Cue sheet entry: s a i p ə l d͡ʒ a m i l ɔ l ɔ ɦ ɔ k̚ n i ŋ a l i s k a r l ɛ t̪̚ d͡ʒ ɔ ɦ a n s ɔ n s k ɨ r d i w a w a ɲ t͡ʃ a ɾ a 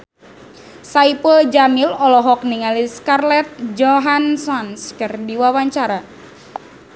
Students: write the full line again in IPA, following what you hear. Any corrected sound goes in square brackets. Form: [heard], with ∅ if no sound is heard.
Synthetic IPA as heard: s a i p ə l d͡ʒ a m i l ɔ l ɔ ɦ ɔ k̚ n i ŋ a l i s k a r l ɛ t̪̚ d͡ʒ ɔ ɦ a n s ɔ n s k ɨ r d i w a w a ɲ t͡ʃ a ɾ a